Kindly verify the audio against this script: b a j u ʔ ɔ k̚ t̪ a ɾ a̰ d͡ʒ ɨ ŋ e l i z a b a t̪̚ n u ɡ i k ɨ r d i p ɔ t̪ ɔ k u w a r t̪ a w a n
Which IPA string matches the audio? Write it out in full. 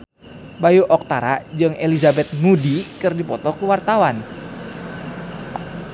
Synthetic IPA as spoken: b a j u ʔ ɔ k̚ t̪ a ɾ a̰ d͡ʒ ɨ ŋ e l i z a b ɛ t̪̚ n u d i k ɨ r d i p ɔ t̪ ɔ k u w a r t̪ a w a n